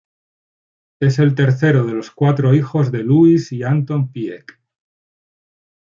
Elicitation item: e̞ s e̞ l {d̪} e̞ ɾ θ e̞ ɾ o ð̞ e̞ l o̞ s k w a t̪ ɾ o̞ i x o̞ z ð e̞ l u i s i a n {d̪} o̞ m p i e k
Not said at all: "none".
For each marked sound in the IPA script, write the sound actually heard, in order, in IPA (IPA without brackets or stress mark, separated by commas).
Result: t̪, t̪